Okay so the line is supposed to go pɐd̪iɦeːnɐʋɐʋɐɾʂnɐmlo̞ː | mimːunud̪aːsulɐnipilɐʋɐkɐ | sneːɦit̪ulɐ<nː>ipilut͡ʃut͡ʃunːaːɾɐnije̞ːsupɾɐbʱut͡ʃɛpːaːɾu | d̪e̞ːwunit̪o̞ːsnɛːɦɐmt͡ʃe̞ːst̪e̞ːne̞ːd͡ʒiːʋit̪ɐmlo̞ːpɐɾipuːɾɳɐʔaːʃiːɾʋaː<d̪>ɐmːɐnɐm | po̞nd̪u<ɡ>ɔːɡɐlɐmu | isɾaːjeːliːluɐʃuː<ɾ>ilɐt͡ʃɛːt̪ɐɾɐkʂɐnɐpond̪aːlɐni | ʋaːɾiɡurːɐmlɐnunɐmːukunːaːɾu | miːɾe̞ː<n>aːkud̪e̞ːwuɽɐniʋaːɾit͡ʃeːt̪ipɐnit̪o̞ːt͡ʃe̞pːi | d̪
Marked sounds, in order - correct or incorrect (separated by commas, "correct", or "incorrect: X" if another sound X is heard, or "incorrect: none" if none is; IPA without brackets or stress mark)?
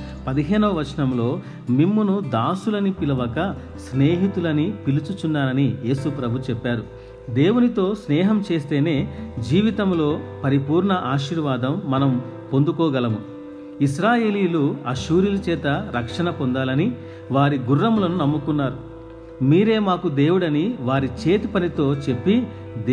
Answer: incorrect: n, correct, incorrect: k, correct, incorrect: m